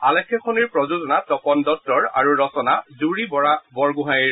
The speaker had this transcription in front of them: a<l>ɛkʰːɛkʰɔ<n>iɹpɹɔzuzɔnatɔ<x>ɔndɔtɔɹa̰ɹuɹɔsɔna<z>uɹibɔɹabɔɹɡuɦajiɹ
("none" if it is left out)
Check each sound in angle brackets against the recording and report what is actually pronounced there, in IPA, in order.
l, n, k, z

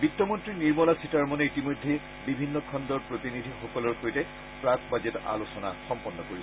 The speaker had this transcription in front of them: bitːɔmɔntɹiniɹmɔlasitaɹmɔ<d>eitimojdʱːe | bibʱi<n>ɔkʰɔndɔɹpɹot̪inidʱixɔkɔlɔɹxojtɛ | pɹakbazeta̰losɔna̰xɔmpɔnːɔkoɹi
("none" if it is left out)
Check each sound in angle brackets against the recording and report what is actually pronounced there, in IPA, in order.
n, nː

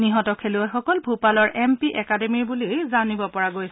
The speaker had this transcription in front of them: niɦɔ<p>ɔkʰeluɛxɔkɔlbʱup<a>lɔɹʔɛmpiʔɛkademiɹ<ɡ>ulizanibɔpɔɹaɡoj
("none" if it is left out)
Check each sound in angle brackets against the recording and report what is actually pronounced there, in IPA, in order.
t, a, b

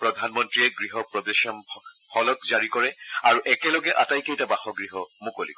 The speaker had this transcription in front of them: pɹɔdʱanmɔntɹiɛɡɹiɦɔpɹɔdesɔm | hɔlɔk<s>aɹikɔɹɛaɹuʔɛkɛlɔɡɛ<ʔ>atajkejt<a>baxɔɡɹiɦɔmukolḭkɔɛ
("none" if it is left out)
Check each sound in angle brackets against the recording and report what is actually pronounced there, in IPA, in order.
z, ʔ, a

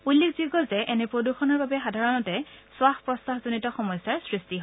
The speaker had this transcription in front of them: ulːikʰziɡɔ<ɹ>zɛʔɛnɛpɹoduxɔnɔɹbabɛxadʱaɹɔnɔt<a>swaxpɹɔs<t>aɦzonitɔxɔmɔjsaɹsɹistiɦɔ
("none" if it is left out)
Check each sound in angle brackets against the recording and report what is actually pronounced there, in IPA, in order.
l, ɛ, t

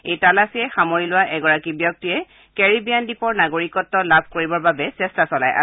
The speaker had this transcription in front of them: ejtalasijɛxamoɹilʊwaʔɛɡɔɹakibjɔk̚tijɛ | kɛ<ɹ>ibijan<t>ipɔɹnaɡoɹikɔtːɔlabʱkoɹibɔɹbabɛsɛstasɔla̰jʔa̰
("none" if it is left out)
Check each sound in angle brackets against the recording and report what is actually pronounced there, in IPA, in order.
ɹ, d

